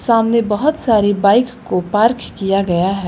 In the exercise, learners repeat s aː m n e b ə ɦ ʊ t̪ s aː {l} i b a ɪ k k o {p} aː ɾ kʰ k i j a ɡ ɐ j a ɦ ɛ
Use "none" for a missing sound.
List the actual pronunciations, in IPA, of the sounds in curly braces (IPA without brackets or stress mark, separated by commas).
ɾ, p